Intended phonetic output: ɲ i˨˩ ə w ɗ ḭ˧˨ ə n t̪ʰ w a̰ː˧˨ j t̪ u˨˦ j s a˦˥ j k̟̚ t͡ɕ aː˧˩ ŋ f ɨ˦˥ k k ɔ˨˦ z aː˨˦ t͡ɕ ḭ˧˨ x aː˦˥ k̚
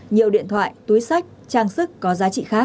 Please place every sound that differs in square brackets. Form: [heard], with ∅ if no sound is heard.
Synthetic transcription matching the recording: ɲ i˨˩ ə w ɗ ḭ˧˨ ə n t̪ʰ w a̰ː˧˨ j t̪ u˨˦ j s a˦˥ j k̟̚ t͡ɕ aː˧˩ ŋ [s] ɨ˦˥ k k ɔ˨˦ z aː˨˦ t͡ɕ ḭ˧˨ x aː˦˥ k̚